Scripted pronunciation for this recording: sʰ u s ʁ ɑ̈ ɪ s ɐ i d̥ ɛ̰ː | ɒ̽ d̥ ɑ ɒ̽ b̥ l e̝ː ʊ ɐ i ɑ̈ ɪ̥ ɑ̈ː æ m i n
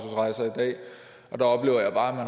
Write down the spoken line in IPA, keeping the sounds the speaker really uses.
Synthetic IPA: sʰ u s ʁ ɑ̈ ɪ s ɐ i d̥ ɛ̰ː | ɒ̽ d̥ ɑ ɒ̽ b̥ l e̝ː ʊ ɐ j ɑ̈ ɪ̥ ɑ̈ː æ m æ n